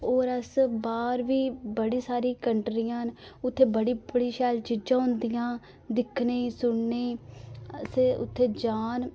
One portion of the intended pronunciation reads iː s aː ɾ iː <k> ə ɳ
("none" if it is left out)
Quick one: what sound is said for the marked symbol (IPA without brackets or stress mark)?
k